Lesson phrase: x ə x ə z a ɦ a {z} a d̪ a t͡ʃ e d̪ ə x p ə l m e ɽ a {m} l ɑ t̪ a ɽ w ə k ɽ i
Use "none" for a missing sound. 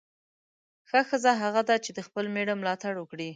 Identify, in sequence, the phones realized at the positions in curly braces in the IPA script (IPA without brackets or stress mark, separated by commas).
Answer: ɣ, m